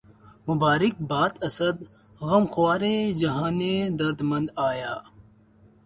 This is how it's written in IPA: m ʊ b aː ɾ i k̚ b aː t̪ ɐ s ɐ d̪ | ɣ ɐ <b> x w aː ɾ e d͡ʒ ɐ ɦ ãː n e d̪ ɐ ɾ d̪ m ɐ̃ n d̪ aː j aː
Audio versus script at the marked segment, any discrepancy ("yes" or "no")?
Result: yes